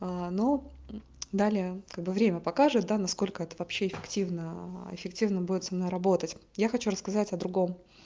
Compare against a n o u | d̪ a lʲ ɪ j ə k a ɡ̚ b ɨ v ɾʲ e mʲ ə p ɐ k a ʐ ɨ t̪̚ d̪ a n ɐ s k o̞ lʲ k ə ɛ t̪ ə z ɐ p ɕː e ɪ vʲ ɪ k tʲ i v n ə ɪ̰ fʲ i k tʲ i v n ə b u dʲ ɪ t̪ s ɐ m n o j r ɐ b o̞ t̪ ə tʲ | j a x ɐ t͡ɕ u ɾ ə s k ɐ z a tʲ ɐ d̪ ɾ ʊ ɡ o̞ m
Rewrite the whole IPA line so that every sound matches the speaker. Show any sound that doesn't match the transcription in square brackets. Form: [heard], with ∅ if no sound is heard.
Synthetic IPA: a n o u | d̪ a lʲ ɪ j ə k a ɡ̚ b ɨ v ɾʲ e mʲ ə p ɐ k a ʐ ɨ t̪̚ d̪ a n ɐ s k o̞ lʲ k ə ɛ t̪ ə [v] ɐ p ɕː e ɪ [fʲ] ɪ k tʲ i v n ə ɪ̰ fʲ [ɪ] k tʲ i v n ə b u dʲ ɪ t̪ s ɐ m n o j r ɐ b o̞ t̪ ə tʲ | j a x ɐ t͡ɕ u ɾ ə s k ɐ z a tʲ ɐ d̪ ɾ ʊ ɡ o̞ m